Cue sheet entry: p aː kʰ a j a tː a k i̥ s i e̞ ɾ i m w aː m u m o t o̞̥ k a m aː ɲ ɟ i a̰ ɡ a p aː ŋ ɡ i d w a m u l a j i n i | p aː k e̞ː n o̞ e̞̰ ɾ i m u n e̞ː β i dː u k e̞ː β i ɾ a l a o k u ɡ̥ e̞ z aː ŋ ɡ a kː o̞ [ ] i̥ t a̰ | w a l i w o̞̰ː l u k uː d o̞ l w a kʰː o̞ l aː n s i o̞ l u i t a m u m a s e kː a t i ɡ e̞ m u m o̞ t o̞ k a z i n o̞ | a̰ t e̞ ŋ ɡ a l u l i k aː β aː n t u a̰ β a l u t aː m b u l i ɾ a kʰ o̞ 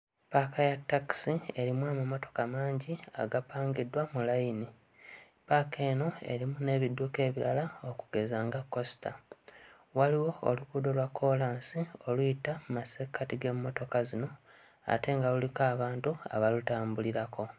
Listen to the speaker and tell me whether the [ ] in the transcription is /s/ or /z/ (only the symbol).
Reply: s